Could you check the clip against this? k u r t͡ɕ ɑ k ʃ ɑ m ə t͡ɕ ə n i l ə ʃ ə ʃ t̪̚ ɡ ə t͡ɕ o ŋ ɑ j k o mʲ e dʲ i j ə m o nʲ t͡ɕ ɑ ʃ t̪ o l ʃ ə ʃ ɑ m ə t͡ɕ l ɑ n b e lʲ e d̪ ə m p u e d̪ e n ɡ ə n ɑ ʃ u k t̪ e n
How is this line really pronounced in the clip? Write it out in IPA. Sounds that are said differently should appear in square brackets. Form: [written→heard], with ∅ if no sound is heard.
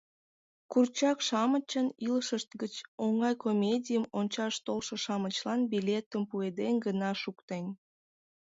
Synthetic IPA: k u r t͡ɕ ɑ k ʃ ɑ m ə t͡ɕ ə n i l ə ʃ ə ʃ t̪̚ ɡ ə t͡ɕ o ŋ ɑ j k o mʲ e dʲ i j ə m o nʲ t͡ɕ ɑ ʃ t̪ o l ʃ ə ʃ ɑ m ə t͡ɕ l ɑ n b [e→i] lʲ e [d̪→t̪] ə m p u e d̪ e n ɡ ə n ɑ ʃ u k t̪ e n